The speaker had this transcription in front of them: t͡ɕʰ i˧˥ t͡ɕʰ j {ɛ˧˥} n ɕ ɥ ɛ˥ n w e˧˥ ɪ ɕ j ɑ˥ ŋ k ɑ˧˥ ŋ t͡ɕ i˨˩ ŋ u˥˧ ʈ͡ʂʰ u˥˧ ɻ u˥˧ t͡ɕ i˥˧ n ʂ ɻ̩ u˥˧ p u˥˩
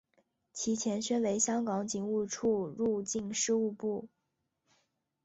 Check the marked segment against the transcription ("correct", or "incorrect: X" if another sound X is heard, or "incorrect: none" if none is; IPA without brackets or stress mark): correct